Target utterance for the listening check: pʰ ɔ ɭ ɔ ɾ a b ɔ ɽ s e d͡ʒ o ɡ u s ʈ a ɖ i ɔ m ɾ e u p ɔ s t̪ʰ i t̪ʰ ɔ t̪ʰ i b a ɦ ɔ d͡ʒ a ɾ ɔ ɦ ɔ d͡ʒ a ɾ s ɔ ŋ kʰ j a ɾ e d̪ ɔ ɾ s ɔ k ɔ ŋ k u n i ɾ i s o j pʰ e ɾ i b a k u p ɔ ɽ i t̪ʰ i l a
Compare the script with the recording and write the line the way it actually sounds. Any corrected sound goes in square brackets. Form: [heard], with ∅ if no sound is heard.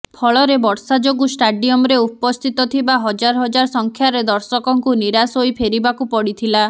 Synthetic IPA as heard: pʰ ɔ ɭ ɔ ɾ [e] b ɔ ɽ s [a] d͡ʒ o ɡ u s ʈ a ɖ i ɔ m ɾ e u p ɔ s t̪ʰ i [t̪] ɔ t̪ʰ i b a ɦ ɔ d͡ʒ a ɾ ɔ ɦ ɔ d͡ʒ a ɾ s ɔ ŋ kʰ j a ɾ e d̪ ɔ ɾ s ɔ k ɔ ŋ k u n i ɾ [a] s o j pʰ e ɾ i b a k u p ɔ ɽ i t̪ʰ i l a